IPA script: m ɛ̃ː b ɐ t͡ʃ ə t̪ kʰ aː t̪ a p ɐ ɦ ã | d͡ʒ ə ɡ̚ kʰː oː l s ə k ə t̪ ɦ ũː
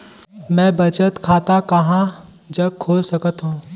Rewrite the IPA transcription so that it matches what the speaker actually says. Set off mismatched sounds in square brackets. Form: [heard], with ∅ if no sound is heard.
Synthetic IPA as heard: m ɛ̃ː b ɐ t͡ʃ ə t̪ kʰ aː t̪ a [k] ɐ ɦ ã | d͡ʒ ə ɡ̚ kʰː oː l s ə k ə t̪ ɦ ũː